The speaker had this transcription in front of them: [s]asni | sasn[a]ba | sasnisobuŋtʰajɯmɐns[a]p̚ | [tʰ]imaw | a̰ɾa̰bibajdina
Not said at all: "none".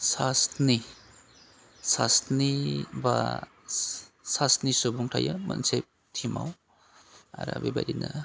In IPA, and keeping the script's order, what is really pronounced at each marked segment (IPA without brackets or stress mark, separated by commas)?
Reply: s, i, e, tʰ